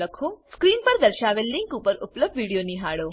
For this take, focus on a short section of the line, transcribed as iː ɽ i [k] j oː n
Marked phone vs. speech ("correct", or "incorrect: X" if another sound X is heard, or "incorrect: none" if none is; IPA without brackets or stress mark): incorrect: none